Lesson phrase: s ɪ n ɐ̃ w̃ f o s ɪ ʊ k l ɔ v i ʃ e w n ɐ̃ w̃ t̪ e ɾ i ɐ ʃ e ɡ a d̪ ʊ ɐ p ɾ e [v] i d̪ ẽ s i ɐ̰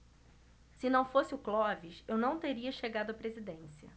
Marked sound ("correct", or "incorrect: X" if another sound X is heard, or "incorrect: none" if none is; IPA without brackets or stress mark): incorrect: z